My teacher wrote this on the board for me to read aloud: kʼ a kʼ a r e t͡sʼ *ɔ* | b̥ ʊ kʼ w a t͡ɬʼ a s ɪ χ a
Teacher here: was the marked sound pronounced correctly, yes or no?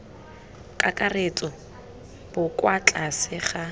yes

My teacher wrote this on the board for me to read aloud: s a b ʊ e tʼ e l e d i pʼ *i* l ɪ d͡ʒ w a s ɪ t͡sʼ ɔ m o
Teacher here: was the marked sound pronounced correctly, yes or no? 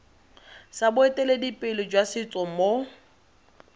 no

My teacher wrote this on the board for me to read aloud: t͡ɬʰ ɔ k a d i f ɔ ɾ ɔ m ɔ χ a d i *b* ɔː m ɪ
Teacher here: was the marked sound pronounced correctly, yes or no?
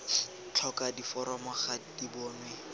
yes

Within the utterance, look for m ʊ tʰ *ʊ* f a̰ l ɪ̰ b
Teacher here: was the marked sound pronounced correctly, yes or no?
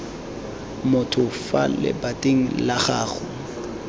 yes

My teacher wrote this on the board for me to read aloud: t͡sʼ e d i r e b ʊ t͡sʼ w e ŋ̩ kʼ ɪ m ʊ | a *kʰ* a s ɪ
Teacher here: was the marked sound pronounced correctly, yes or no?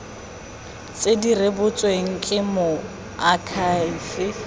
yes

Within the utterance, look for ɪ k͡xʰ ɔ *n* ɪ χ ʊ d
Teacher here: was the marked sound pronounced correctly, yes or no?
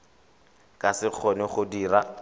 yes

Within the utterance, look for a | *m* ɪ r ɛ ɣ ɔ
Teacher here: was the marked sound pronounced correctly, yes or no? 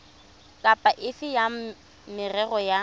yes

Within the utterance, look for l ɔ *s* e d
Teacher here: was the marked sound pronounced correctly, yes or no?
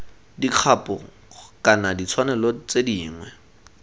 no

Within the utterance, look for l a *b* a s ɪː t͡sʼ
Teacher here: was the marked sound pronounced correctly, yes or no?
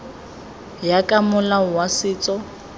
no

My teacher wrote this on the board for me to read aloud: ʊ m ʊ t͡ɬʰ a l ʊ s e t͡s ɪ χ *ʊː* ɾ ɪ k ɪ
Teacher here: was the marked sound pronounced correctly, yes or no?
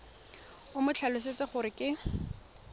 no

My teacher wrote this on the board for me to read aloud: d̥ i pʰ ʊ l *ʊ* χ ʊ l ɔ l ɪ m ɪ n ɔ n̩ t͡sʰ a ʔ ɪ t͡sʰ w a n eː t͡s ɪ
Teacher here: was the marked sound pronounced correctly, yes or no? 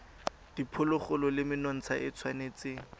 yes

